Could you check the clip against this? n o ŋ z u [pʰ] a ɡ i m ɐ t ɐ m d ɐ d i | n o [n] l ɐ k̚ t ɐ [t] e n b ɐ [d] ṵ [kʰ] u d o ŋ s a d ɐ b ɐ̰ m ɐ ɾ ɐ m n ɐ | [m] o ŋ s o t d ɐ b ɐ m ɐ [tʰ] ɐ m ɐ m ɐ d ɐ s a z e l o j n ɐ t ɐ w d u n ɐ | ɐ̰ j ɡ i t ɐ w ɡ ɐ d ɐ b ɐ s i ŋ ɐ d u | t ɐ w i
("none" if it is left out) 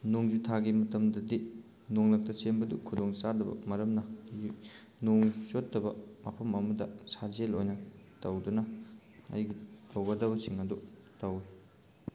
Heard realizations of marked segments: tʰ, ŋ, s, d, kʰ, n, pʰ

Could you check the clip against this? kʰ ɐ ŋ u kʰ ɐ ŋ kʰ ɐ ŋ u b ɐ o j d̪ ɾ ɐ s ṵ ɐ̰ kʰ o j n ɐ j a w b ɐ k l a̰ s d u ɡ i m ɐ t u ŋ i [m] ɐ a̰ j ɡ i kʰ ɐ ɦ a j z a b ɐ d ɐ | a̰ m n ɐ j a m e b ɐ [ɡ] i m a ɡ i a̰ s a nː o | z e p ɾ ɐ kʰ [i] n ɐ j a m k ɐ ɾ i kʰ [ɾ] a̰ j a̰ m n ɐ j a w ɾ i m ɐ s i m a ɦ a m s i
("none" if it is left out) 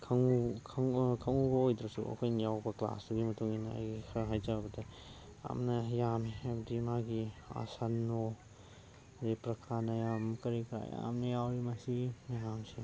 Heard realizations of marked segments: n, d, a, ɾ

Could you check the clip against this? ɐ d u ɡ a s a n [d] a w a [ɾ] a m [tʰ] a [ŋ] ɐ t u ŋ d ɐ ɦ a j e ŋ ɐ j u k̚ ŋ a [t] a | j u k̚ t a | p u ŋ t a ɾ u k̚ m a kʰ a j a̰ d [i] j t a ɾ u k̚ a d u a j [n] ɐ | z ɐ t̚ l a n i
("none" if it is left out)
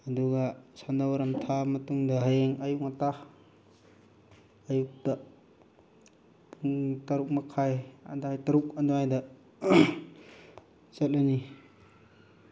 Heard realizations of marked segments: d, ɾ, tʰ, m, t, a, d

